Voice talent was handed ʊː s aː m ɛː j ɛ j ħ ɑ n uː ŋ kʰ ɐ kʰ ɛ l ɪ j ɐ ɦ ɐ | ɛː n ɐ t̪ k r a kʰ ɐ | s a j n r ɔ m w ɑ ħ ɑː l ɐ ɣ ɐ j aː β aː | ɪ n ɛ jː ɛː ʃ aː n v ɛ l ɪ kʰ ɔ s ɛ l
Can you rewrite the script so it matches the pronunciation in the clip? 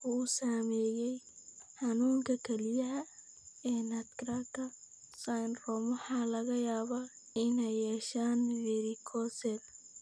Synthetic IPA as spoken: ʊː s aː m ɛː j ɛ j ħ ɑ n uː ŋ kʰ ɐ kʰ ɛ l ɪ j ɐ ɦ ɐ | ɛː n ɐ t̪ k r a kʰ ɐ | s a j n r ɔ m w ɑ ħ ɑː l ɐ ɣ ɐ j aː β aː | ɪ n ɛ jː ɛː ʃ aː n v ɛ ɾ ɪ kʰ ɔ s ɛ l